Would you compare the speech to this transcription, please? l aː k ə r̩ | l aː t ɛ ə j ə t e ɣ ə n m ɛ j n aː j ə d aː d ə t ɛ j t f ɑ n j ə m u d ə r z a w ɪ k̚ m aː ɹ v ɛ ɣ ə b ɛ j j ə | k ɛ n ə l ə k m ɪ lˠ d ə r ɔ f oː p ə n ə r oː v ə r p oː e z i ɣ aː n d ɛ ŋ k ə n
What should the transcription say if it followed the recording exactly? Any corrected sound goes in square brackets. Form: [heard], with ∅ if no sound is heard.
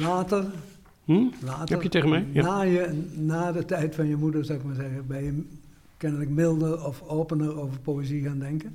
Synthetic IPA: l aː [t] ə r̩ | l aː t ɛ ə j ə t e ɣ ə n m ɛ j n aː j ə [n] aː d ə t ɛ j t f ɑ n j ə m u d ə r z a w ɪ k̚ m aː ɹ [z] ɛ ɣ ə b ɛ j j ə | k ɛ n ə l ə k m ɪ lˠ d ə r ɔ f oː p ə n ə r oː v ə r p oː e z i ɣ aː n d ɛ ŋ k ə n